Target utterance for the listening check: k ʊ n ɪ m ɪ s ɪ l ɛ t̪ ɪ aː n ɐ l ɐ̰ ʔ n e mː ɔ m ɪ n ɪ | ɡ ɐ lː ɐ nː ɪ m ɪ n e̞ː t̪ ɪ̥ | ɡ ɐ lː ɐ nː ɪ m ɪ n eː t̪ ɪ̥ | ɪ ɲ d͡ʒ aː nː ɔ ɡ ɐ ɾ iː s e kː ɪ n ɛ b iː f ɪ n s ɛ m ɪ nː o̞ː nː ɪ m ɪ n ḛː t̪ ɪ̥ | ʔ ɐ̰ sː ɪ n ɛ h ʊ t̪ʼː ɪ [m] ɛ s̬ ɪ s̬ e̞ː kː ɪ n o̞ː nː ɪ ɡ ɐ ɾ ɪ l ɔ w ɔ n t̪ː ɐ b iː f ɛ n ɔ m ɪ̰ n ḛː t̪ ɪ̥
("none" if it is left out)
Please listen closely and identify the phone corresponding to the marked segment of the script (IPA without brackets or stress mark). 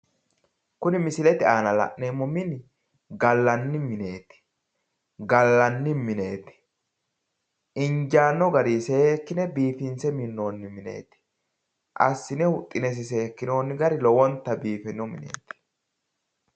n